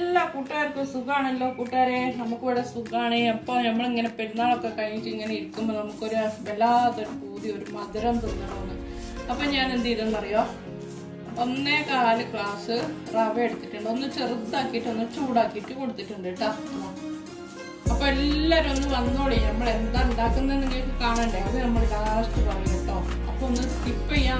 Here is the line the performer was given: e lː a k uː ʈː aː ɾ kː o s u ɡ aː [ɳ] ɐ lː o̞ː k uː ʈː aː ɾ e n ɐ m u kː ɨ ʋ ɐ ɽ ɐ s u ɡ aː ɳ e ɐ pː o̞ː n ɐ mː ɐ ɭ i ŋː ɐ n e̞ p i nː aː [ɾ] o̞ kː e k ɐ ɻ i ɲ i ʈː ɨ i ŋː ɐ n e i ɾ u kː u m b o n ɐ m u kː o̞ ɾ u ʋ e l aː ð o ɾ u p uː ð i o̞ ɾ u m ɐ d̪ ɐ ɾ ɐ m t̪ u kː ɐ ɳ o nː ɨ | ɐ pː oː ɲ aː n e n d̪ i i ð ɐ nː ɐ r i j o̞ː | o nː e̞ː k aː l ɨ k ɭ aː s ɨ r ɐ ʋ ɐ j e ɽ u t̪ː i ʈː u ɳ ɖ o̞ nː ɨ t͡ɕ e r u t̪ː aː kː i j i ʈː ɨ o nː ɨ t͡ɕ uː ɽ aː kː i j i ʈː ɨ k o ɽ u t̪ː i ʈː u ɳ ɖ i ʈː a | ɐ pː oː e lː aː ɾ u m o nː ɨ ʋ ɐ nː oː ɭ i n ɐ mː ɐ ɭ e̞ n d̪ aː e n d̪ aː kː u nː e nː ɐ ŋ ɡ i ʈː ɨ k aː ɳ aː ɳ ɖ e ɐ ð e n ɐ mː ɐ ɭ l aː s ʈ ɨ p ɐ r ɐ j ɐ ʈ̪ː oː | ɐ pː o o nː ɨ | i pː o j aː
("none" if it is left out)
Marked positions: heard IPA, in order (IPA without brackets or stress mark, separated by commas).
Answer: ɳ, ɭ